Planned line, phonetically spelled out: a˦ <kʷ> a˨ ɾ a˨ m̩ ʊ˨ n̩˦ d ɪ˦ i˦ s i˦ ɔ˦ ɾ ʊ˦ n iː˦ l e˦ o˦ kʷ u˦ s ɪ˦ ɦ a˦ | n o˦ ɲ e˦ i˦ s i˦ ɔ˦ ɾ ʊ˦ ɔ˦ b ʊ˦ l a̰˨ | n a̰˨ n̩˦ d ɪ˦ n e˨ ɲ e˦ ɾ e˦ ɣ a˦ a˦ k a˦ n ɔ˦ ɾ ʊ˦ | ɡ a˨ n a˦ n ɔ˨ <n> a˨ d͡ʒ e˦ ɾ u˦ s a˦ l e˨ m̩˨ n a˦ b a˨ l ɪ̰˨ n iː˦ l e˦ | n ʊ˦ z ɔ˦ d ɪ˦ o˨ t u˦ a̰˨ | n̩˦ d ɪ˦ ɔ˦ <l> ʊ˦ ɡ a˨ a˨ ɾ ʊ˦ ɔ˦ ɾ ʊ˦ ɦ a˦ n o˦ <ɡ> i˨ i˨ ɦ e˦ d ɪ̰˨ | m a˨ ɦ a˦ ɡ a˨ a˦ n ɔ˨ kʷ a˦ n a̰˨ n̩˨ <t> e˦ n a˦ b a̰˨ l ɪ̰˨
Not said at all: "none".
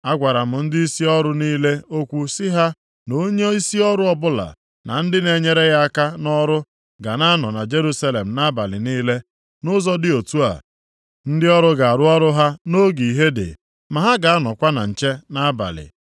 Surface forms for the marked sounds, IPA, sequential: ɡʷ, n, ɾ, ɡ, t͡ʃ

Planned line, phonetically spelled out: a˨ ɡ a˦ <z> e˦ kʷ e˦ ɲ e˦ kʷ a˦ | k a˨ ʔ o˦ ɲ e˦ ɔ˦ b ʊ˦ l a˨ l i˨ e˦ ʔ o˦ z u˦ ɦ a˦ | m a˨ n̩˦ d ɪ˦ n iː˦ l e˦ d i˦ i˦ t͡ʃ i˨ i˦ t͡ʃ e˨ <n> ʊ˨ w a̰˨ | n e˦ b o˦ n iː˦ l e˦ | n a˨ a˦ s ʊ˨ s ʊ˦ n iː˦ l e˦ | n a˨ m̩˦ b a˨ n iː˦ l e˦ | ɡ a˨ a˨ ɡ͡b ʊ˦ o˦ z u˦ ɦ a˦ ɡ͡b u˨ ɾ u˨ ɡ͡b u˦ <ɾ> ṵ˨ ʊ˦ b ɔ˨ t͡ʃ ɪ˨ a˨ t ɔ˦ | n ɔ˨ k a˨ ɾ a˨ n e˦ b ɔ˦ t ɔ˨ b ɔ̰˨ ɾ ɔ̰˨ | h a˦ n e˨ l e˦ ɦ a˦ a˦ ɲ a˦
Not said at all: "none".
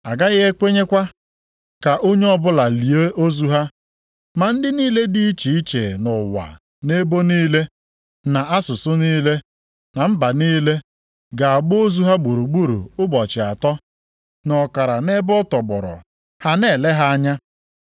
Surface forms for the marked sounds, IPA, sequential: ɣ, n, ɾ

